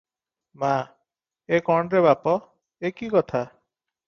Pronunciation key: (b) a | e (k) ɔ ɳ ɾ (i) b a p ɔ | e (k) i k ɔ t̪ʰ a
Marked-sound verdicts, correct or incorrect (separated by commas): incorrect, correct, incorrect, correct